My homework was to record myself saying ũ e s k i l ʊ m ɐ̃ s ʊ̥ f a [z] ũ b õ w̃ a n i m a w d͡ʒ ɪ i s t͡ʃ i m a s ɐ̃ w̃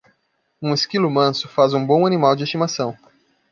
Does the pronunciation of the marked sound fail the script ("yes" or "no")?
no